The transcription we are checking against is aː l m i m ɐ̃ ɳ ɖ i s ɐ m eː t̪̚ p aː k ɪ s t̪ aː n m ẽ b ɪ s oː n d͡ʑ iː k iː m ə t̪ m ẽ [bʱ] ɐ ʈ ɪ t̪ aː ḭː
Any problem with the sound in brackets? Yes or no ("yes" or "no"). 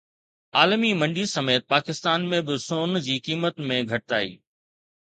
yes